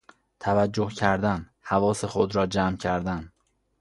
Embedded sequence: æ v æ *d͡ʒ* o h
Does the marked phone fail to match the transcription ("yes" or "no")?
yes